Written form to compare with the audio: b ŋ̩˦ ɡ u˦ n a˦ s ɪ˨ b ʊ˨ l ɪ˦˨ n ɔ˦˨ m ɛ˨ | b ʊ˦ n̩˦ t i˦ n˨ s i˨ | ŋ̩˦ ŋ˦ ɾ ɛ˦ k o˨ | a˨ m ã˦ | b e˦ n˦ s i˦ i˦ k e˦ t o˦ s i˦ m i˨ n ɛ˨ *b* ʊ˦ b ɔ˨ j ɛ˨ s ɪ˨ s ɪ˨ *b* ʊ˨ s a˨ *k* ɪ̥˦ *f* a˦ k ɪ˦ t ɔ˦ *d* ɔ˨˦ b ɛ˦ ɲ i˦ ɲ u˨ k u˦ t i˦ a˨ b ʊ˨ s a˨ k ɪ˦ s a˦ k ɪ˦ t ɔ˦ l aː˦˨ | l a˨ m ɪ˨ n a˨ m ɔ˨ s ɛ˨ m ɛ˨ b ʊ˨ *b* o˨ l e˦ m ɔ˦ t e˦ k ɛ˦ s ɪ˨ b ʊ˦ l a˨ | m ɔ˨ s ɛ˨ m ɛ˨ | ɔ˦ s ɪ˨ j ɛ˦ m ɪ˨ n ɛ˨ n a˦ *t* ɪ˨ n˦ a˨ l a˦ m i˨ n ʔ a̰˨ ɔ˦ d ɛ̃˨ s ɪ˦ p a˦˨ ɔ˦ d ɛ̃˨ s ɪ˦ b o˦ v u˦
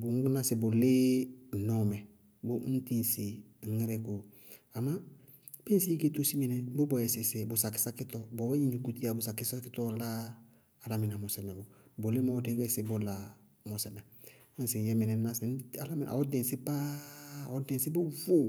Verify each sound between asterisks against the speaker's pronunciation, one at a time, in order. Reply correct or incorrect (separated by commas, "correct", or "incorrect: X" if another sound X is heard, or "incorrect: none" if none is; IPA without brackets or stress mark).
correct, correct, correct, incorrect: s, incorrect: b, correct, incorrect: s